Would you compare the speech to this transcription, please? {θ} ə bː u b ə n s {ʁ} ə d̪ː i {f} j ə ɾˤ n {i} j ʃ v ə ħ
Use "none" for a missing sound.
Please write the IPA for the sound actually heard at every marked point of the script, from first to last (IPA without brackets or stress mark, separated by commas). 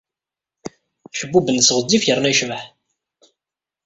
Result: ʃ, ʁ, f, æ